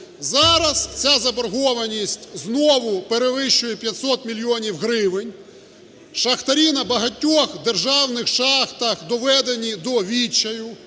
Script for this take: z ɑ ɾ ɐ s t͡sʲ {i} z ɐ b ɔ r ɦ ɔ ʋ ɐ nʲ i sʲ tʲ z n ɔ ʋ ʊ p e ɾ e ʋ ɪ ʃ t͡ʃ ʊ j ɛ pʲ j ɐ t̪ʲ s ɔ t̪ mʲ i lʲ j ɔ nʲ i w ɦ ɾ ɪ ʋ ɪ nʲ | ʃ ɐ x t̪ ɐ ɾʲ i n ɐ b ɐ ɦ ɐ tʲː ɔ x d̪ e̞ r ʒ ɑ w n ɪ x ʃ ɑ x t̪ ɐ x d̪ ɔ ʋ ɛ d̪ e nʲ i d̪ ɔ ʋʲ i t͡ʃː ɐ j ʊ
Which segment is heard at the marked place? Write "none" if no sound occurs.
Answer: a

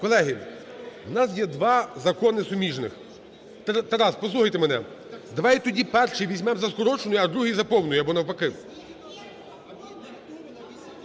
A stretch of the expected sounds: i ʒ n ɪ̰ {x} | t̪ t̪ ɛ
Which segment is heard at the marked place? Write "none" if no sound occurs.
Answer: x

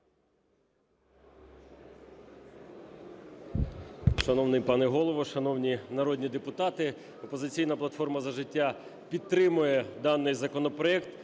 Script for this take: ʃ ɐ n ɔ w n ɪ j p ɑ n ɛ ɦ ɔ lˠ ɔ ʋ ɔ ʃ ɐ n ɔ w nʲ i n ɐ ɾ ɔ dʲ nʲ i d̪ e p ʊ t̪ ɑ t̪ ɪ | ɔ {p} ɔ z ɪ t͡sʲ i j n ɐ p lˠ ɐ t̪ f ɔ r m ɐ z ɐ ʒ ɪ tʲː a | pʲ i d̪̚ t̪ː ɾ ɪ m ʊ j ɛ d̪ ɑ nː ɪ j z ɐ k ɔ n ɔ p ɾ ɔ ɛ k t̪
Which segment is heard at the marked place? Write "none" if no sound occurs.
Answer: p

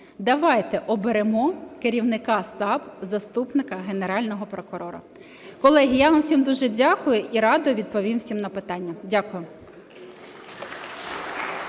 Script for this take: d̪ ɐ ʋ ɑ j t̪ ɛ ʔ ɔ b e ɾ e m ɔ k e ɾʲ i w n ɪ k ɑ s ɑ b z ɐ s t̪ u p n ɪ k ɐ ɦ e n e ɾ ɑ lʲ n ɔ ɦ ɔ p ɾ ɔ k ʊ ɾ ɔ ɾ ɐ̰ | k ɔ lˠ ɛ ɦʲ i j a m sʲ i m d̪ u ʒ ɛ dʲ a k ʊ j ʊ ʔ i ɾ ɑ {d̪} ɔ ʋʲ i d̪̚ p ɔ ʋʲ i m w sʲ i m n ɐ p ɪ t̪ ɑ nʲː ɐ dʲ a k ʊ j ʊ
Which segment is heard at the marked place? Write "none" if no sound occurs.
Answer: d̪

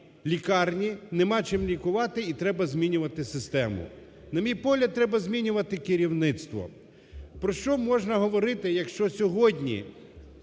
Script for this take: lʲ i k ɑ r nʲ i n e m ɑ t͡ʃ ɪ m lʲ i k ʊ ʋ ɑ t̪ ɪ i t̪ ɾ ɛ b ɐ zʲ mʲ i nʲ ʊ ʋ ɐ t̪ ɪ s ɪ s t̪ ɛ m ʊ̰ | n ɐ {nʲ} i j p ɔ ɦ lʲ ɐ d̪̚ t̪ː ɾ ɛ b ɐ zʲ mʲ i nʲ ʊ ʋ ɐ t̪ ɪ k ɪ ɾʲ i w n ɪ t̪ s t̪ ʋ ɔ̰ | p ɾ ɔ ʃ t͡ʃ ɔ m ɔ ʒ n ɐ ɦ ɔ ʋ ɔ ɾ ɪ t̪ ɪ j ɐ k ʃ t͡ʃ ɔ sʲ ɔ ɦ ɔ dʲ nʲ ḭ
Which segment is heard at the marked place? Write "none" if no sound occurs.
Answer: mʲ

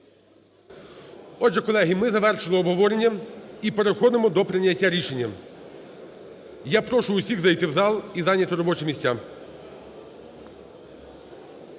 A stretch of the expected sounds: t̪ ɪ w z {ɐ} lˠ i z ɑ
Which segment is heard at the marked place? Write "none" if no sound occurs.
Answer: ɑ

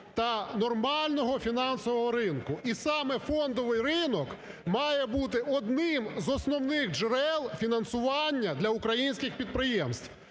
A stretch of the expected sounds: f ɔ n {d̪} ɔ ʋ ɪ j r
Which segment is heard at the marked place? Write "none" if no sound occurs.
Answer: d̪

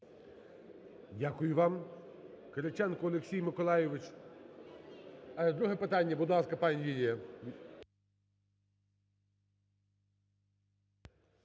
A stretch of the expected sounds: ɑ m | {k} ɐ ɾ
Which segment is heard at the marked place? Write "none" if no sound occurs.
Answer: k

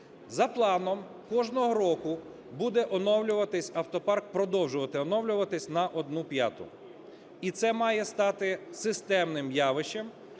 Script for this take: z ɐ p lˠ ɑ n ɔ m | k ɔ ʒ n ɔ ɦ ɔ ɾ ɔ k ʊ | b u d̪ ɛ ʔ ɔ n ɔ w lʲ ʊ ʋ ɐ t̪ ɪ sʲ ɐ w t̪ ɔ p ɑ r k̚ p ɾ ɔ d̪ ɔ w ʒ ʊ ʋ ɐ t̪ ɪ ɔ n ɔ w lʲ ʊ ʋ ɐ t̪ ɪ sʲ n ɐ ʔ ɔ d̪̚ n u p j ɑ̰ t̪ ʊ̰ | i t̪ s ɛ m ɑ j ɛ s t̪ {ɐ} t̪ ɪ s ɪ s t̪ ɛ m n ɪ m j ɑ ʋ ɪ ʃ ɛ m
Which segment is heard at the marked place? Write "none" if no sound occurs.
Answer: ɑ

